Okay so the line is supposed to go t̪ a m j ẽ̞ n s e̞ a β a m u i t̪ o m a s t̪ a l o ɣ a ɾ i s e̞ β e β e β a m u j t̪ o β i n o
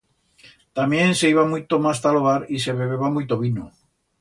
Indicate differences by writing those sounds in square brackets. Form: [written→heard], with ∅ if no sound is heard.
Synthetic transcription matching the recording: t̪ a m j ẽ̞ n s e̞ [a→i] β a m u [i→j] t̪ o m a s t̪ a l o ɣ a ɾ i s e̞ β e β e β a m u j t̪ o β i n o